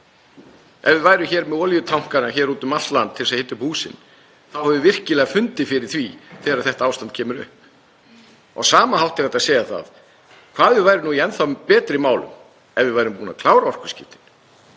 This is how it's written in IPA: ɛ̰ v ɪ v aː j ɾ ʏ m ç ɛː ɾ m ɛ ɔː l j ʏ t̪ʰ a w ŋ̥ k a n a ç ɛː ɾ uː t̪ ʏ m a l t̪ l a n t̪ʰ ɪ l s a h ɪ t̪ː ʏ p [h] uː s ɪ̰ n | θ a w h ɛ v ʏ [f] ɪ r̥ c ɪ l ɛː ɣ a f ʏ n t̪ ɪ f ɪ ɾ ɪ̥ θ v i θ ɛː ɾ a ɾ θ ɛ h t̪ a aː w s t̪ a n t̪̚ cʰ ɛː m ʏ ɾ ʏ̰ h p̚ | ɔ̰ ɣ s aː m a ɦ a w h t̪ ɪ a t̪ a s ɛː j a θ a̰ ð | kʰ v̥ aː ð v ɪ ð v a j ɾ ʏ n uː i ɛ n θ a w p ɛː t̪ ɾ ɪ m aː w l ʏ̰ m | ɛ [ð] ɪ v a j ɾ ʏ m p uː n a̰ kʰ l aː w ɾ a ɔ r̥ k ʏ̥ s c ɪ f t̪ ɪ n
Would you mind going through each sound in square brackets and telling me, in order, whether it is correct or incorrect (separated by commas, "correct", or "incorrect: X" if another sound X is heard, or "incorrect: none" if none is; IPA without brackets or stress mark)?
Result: correct, incorrect: v, incorrect: v